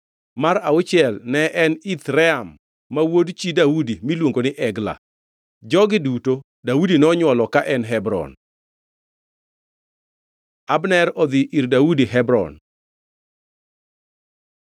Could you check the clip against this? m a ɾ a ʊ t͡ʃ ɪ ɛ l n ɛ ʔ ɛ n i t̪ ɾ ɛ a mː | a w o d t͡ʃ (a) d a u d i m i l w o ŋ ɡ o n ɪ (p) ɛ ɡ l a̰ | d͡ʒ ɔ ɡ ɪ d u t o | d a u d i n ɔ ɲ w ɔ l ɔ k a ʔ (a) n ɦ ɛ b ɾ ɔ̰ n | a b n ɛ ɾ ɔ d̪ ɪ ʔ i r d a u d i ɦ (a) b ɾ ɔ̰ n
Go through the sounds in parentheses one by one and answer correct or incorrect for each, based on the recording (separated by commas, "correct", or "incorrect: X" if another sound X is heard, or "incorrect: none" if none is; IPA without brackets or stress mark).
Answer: incorrect: i, incorrect: ʔ, incorrect: ɛ, incorrect: ɛ